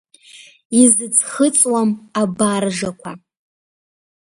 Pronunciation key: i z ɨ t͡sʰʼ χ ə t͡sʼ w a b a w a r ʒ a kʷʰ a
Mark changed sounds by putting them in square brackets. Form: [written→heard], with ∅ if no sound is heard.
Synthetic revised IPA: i z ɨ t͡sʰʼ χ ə t͡sʼ w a [b→m] a [w→b] a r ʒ a kʷʰ a